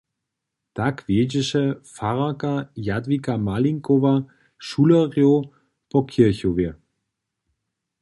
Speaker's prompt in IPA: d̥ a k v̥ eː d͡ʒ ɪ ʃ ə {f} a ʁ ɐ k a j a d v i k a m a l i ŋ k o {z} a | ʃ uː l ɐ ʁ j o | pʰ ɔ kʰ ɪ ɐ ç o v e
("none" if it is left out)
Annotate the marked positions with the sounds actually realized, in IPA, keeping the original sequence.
f, v

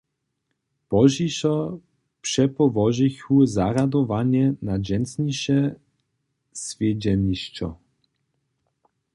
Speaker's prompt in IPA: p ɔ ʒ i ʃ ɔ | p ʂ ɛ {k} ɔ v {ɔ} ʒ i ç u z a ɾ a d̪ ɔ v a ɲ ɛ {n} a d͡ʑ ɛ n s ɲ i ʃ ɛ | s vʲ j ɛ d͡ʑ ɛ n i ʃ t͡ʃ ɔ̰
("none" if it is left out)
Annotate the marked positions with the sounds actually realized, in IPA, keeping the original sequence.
p, ɔ, n

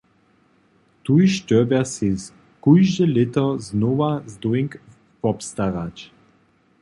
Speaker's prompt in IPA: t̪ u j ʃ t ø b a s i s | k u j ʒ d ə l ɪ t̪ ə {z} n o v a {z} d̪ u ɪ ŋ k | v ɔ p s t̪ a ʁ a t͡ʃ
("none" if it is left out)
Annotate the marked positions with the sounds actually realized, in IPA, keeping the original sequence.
z, z

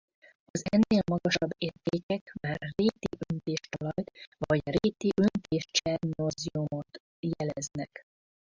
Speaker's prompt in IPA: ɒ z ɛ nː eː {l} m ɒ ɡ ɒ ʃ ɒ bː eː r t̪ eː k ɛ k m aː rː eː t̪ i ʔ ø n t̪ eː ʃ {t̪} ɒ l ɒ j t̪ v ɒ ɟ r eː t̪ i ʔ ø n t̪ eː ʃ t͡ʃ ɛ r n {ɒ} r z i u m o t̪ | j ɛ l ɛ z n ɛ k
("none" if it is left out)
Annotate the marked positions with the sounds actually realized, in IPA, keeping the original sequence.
l, t̪, o

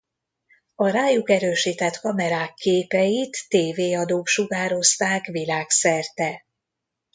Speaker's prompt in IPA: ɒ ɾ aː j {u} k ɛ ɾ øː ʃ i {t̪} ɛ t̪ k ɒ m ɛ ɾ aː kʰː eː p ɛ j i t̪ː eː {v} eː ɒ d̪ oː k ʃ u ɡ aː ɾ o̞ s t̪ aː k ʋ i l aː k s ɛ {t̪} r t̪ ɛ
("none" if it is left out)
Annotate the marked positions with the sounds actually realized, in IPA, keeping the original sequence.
u, t̪, v, none

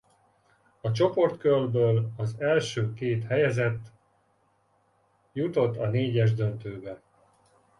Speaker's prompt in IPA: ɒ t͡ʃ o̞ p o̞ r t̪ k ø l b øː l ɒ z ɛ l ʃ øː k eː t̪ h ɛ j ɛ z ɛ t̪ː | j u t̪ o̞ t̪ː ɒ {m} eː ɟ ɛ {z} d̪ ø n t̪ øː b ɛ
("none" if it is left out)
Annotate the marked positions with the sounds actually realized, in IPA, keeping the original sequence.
n, ʒ

